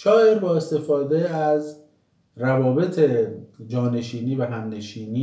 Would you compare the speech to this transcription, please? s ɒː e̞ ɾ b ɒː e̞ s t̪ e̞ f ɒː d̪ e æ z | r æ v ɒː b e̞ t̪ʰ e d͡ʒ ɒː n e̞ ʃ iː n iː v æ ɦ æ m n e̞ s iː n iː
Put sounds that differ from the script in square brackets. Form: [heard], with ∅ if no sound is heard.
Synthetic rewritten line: [ʃ] ɒː e̞ ɾ b ɒː e̞ s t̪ e̞ f ɒː d̪ e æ z | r æ v ɒː b e̞ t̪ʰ e d͡ʒ ɒː n e̞ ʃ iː n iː v æ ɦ æ m n e̞ [ʃ] iː n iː